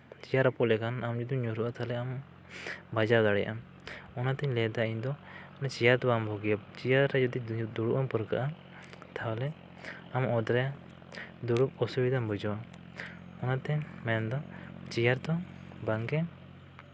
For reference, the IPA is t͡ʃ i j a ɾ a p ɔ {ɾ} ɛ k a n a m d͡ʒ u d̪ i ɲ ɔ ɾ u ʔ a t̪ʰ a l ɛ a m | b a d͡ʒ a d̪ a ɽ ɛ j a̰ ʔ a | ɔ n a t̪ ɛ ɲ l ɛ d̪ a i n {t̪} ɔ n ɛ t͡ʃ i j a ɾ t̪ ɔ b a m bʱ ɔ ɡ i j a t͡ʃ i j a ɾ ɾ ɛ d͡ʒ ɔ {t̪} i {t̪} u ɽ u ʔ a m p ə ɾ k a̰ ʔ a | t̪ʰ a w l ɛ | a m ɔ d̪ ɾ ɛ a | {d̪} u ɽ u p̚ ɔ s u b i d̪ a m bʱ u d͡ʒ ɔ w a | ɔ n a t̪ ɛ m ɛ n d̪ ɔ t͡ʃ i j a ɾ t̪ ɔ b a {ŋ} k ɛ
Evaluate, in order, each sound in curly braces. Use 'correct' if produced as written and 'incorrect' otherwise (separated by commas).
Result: incorrect, incorrect, incorrect, incorrect, correct, correct